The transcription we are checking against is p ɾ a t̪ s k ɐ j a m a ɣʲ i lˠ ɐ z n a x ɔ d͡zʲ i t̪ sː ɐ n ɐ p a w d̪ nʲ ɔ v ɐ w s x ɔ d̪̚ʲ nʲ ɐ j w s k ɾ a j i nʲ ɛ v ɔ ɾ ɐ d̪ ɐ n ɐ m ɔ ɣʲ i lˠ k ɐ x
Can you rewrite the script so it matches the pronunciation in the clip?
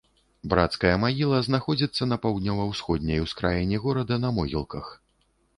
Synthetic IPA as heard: b ɾ a t̪ s k ɐ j ɐ m a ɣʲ i lˠ ɐ z n a x ɔ d͡zʲ i t̪ sː ɐ n ɐ p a w d̪ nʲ ɔ v ɐ w s x ɔ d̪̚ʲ nʲ ɐ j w s k ɾ a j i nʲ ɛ ɣ ɔ ɾ ɐ d̪ ɐ n ɐ m ɔ ɣʲ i lˠ k ɐ x

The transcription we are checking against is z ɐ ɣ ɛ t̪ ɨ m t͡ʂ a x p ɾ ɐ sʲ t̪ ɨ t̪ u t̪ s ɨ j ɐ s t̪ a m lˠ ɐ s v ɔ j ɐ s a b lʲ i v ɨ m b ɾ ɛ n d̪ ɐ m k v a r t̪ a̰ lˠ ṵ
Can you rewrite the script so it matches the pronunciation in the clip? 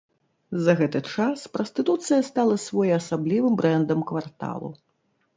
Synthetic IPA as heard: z ɐ ɣ ɛ t̪ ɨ t͡ʂ a s p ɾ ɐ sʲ t̪ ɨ t̪ u t̪ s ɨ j ɐ s t̪ a lˠ ɐ s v ɔ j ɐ s a b lʲ i v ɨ m b ɾ ɛ n d̪ ɐ m k v a r t̪ a̰ lˠ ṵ

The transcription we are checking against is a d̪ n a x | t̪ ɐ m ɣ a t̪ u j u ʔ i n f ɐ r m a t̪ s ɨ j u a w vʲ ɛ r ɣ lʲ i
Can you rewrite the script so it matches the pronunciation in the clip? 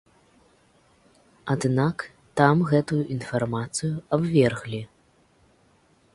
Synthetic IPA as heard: a d̪ n a k | t̪ a m ɣ ɛ t̪ u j u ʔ i n f a r m a t̪ s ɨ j u a b vʲ ɛ r ɣ lʲ i

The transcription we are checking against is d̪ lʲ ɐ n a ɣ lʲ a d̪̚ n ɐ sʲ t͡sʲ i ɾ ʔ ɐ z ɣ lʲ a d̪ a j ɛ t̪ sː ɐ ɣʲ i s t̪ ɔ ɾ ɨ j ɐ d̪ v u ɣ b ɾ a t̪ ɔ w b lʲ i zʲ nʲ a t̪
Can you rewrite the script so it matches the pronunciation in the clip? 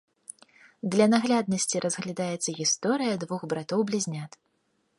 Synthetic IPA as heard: d̪ lʲ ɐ n a ɣ lʲ a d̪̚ n ɐ sʲ t͡sʲ i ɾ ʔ ɐ z ɣ lʲ a d̪ a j ɛ t̪ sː ɐ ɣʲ i s t̪ ɔ ɾ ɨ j ɐ d̪ v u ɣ b ɾ a t̪ ɔ w b lʲ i zʲ nʲ a t̪

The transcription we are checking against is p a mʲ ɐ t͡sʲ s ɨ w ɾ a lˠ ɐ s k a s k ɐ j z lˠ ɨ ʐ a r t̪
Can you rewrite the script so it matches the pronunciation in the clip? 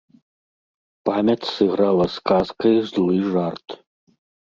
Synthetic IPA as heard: p a mʲ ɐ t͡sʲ s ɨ ɣ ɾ a lˠ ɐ s k a s k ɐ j z lˠ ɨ ʐ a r t̪

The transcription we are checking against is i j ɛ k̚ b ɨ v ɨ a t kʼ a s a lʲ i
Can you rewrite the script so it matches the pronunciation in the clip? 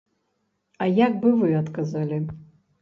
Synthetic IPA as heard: a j a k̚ b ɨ v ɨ a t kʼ a z a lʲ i

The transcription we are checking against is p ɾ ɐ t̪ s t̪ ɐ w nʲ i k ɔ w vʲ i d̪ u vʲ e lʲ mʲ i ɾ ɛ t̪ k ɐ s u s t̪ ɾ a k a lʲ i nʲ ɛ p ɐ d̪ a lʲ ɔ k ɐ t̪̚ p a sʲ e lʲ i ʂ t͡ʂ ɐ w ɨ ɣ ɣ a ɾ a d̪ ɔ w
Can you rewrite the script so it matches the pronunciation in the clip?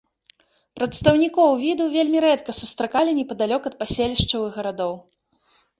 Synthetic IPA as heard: p ɾ ɐ t̪ s t̪ ɐ w nʲ i k ɔ w vʲ i d̪ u vʲ e lʲ mʲ i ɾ ɛ t̪ k ɐ s u s t̪ ɾ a k a lʲ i nʲ ɛ p ɐ d̪ a lʲ ɔ k ɐ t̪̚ p a sʲ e lʲ i ʂ t͡ʂ ɐ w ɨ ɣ ɣ ɐ ɾ a d̪ ɔ w

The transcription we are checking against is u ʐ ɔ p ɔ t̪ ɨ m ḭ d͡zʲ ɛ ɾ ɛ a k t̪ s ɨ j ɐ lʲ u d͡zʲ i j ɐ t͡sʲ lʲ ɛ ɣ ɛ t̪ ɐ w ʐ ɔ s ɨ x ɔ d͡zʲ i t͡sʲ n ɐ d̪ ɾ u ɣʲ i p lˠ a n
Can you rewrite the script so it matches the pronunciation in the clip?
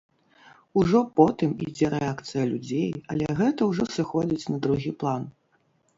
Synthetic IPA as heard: u ʐ ɔ p ɔ t̪ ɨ m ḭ d͡zʲ ɛ ɾ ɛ a k t̪ s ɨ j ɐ lʲ u d͡zʲ e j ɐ lʲ ɛ ɣ ɛ t̪ ɐ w ʐ ɔ s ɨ x ɔ d͡zʲ i t͡sʲ n ɐ d̪ ɾ u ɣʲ i p lˠ a n

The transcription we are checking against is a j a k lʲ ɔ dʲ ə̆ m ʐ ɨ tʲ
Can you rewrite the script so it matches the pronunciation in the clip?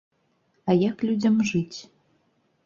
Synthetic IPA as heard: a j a k lʲ u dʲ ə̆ m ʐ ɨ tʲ

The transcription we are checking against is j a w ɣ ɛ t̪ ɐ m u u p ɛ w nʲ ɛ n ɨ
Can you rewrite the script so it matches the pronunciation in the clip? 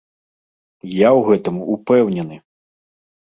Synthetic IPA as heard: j a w ɣ ɛ t̪ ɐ m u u p ɛ w nʲ ɛ n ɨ

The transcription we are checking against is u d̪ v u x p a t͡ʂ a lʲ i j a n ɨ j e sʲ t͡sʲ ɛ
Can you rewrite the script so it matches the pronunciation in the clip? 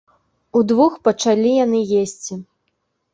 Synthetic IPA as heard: u d̪ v u x p ɐ t͡ʂ a lʲ i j a n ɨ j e sʲ t͡sʲ i

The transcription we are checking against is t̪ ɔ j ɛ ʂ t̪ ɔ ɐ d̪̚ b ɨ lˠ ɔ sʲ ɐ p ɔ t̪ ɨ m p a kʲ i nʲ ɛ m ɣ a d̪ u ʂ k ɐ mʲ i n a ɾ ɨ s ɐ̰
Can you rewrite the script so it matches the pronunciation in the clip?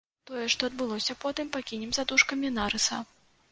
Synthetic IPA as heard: t̪ ɔ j ɛ ʂ t̪ ɔ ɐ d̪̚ b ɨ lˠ ɔ sʲ ɐ p ɔ t̪ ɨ m p a kʲ i nʲ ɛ m z a d̪ u ʂ k ɐ mʲ i n a ɾ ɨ s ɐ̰

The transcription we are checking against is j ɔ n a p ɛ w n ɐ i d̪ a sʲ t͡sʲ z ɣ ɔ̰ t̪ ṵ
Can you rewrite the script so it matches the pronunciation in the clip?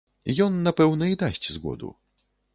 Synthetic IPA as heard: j ɔ nː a p ɛ w n ɐ i d̪ a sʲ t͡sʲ z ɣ ɔ̰ d̪ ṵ

